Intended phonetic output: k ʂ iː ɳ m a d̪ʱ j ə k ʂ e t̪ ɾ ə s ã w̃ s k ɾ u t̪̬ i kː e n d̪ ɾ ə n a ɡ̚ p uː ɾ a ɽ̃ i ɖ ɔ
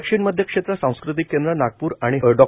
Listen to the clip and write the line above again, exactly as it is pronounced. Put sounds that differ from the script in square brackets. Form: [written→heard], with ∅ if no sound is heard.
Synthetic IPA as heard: k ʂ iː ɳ m [a→ə] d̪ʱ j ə k ʂ e t̪ ɾ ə s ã w̃ s k ɾ u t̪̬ i kː e n d̪ ɾ ə n a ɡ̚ p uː ɾ a ɽ̃ i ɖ ɔ